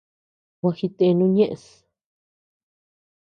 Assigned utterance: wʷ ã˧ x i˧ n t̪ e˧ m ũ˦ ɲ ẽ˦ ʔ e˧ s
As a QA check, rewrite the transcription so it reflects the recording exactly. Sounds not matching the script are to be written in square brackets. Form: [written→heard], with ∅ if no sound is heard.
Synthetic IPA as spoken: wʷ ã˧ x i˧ [n→∅] t̪ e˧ [m→n] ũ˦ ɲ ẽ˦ ʔ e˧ s